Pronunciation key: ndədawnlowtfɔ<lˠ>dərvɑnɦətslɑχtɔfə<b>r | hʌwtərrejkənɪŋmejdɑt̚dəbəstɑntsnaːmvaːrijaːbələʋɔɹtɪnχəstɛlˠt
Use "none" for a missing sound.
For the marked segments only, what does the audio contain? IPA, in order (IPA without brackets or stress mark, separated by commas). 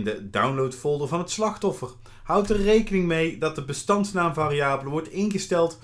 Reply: lˠ, none